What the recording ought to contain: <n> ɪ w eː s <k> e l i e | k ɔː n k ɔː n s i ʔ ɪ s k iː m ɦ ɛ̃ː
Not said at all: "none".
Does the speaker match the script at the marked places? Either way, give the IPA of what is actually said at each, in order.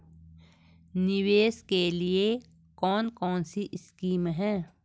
n, k

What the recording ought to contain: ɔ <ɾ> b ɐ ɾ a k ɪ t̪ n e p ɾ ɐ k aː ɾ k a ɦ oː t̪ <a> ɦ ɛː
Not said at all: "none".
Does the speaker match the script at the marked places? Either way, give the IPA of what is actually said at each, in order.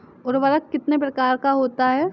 ɾ, a

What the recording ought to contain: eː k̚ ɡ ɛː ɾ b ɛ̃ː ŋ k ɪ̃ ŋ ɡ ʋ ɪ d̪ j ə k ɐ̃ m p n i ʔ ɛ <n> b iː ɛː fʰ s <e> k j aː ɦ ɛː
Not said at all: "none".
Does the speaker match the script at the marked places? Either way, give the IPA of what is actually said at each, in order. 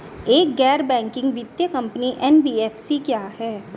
n, i

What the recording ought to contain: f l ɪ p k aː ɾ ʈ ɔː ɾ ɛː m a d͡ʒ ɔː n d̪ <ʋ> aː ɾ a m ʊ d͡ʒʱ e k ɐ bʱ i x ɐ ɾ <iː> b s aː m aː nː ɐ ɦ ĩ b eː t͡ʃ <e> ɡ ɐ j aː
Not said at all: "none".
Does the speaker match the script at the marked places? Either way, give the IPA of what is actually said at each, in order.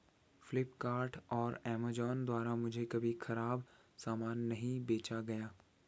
w, aː, a

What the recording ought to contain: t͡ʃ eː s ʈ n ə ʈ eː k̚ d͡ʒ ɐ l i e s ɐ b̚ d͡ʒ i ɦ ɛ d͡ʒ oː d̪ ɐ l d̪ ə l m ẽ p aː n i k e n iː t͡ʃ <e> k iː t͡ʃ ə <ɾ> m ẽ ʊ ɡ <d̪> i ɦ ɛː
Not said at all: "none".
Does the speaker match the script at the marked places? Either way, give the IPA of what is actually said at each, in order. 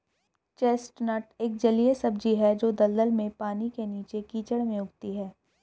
e, ɽ, t̪

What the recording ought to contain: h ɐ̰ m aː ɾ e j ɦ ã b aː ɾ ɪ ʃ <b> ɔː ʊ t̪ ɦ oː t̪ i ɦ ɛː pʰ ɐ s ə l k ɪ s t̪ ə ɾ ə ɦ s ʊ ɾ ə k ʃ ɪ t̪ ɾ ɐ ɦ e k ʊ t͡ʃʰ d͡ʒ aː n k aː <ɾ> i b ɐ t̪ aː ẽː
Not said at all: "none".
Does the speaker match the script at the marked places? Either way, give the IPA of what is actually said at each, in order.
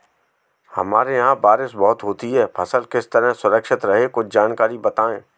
b, ɾ

